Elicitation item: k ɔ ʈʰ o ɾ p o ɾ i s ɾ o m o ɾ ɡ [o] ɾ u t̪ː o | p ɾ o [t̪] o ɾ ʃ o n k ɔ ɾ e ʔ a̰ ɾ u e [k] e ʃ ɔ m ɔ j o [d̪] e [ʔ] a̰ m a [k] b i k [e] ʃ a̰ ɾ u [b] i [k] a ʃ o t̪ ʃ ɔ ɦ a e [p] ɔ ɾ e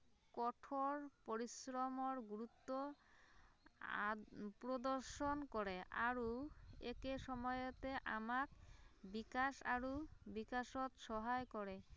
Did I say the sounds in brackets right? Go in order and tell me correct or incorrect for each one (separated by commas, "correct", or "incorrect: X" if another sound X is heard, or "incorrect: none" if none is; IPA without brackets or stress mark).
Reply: incorrect: u, incorrect: d̪, correct, incorrect: t̪, correct, correct, incorrect: a, correct, correct, incorrect: k